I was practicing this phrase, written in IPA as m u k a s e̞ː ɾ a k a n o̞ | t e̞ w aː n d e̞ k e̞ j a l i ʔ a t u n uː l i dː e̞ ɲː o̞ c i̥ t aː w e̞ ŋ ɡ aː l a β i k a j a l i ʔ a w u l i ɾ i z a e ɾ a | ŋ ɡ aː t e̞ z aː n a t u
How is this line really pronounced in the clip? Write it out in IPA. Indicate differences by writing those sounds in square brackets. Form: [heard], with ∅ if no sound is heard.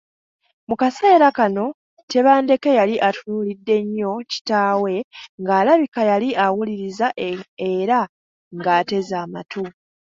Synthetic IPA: m u k a s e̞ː ɾ a k a n o̞ | t e̞ [β] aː n d e̞ k e̞ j a l i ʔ a t u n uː l i dː e̞ ɲː o̞ c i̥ t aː w e̞ ŋ ɡ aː l a β i k a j a l i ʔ a w u l i ɾ i z a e ɾ a | ŋ ɡ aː t e̞ z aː [m] a t u